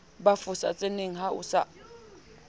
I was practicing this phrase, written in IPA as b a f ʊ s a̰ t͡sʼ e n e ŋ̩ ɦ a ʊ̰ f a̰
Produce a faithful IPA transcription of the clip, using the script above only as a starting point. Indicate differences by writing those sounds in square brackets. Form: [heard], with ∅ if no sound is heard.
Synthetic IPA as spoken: b a f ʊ s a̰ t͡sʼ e n e ŋ̩ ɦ a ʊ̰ [s] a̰